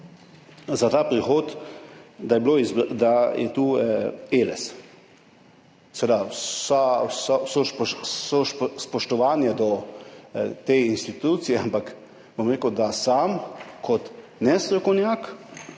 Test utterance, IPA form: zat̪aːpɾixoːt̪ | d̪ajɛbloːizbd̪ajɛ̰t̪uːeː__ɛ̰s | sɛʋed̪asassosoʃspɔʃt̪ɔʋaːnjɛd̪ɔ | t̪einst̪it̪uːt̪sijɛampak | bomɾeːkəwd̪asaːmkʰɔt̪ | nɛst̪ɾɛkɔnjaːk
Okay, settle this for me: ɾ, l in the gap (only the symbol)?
l